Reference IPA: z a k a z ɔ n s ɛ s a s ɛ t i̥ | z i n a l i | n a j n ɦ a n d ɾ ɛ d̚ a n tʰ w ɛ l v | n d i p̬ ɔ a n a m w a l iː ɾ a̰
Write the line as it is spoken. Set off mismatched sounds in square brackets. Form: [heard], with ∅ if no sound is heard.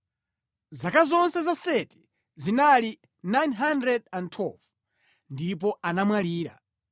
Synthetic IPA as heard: z a k a z ɔ n s ɛ [z] a s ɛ t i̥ | z i n a l i | n a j n ɦ a n d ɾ ɛ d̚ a n tʰ w ɛ l v | n d i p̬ ɔ a n a m w a l iː ɾ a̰